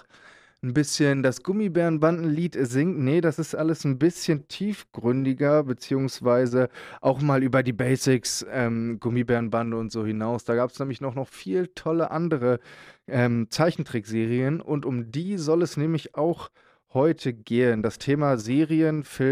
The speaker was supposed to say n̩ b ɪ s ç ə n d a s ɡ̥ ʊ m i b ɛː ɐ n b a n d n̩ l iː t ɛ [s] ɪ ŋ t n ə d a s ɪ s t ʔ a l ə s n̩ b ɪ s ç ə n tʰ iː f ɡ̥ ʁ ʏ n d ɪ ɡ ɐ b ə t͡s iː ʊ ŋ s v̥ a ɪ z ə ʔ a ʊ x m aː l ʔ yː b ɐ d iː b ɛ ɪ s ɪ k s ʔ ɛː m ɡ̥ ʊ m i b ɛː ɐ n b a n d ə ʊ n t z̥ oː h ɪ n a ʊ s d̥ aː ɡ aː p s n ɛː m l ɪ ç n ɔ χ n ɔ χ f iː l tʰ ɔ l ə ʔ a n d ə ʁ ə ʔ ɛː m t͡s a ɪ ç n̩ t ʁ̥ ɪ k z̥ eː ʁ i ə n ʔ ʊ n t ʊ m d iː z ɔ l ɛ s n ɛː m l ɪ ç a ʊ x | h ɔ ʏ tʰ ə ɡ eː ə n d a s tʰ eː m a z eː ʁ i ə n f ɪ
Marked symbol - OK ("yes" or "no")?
no